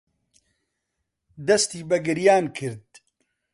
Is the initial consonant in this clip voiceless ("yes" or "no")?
no